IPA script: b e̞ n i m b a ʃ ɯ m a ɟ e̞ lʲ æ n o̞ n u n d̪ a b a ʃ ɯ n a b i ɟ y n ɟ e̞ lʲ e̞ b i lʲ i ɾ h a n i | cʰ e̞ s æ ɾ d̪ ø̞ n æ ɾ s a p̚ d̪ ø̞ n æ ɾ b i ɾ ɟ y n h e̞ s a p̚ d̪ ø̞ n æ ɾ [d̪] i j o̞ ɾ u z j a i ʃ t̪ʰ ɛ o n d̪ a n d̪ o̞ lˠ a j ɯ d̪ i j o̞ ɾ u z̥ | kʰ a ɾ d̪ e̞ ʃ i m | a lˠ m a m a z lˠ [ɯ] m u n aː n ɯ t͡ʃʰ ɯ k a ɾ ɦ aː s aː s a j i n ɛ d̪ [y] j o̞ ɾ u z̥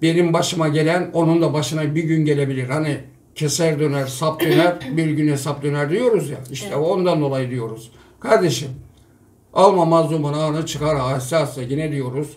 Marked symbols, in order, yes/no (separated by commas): yes, no, no